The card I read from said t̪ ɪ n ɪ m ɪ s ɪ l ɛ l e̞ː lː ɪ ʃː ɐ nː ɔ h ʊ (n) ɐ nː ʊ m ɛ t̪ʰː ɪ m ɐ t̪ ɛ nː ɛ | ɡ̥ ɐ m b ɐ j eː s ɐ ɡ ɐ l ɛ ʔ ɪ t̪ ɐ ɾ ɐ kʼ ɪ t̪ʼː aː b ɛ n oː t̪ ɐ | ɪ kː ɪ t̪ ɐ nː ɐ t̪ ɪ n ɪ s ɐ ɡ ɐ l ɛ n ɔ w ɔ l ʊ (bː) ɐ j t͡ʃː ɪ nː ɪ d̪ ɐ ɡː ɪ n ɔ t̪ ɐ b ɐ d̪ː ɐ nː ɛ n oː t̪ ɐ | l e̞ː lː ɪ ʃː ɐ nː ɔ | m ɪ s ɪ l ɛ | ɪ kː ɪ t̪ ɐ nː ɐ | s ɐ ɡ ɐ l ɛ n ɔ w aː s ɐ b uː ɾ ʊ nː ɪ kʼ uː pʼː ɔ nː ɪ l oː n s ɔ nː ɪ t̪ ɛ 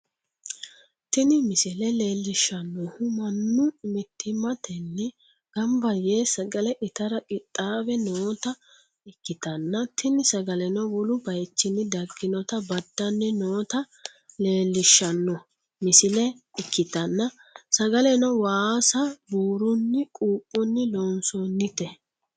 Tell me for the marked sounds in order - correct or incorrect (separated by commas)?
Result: incorrect, incorrect